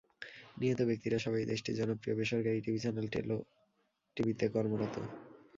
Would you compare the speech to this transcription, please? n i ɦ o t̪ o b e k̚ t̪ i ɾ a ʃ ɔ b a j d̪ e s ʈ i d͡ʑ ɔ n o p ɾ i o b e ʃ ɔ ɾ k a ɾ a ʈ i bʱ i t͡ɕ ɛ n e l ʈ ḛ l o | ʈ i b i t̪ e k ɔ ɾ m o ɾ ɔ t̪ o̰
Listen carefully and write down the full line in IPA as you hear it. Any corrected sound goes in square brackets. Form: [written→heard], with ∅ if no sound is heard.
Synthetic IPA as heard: n i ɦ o t̪ o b e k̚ t̪ i ɾ a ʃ ɔ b a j d̪ e [s→ʃ] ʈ i d͡ʑ ɔ n o p ɾ i o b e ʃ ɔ ɾ k a ɾ [a→i] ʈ i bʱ i t͡ɕ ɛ n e l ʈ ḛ l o | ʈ i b i t̪ e k ɔ ɾ m o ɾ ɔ t̪ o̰